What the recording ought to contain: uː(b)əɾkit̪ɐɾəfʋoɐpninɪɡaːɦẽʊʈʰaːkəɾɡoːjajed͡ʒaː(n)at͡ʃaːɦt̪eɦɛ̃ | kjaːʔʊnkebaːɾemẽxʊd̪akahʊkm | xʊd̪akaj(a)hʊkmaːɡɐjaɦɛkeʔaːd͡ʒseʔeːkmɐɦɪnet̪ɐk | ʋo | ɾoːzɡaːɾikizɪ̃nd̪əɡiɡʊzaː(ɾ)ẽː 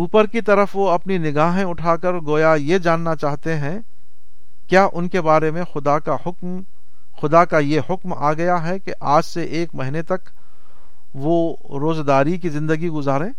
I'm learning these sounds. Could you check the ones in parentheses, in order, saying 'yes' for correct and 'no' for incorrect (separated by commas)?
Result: no, no, no, yes